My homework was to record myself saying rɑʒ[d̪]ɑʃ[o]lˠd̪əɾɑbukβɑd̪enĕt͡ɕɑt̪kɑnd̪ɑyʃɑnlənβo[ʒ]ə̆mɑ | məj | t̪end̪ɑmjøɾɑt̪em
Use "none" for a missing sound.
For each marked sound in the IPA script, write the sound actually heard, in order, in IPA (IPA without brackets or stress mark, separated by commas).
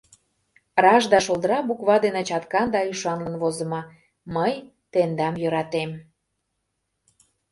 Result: d̪, o, z